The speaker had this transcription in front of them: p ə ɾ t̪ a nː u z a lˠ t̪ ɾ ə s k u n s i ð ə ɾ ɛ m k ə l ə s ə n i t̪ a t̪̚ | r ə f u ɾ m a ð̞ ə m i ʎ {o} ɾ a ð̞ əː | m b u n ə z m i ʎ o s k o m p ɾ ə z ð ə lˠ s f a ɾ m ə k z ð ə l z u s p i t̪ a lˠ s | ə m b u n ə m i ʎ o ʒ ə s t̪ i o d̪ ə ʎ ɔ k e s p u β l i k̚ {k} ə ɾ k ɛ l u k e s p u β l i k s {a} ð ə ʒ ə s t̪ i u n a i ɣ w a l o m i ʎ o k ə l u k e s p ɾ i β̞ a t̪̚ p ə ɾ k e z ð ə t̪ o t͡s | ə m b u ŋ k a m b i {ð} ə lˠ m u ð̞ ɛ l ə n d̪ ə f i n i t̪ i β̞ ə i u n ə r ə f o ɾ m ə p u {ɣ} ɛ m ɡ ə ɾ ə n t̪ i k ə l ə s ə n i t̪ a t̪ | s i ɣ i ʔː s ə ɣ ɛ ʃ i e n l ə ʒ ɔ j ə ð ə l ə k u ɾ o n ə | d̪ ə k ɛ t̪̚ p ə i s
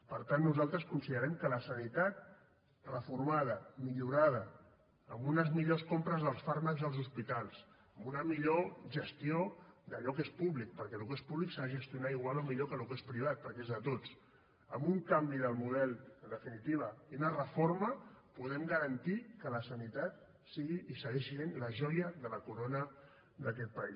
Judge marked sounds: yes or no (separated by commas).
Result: no, no, yes, yes, no